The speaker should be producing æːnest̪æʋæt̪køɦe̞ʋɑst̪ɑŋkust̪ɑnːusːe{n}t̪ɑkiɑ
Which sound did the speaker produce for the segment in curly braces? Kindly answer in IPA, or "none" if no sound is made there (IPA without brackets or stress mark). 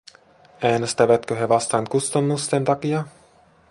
n